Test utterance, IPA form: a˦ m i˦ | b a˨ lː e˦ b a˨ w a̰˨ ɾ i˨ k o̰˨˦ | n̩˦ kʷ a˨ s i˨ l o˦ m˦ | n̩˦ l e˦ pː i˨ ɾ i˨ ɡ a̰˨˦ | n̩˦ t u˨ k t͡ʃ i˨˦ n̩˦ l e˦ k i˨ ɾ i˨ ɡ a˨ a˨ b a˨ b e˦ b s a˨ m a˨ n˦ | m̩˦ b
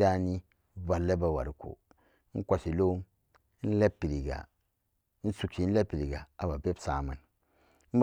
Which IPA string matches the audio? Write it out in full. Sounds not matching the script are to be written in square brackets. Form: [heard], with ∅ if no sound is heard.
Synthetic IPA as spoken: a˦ [n] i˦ | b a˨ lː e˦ b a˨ w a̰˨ ɾ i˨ k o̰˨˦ | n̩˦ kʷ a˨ s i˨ l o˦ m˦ | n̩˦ l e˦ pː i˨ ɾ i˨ ɡ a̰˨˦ | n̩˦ [s] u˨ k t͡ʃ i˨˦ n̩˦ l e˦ [p] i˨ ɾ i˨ ɡ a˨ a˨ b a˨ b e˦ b s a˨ m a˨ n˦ | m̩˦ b